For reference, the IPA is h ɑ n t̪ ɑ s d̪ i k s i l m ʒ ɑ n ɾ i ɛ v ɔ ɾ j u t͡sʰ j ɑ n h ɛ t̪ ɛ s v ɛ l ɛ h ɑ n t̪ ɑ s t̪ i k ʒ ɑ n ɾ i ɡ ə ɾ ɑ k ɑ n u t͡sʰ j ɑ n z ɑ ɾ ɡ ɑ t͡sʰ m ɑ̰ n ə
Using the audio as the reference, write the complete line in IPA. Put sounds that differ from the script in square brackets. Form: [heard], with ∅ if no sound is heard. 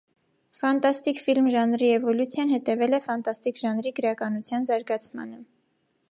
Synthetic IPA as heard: [f] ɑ n t̪ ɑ s [t̪] i k [f] i l m ʒ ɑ n ɾ i ɛ v ɔ [l] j u t͡sʰ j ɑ n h ɛ t̪ ɛ [∅] v ɛ l ɛ [f] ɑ n t̪ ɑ s t̪ i k ʒ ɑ n ɾ i ɡ ə ɾ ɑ k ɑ n u t͡sʰ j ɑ n z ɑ ɾ ɡ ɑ t͡sʰ m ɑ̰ n ə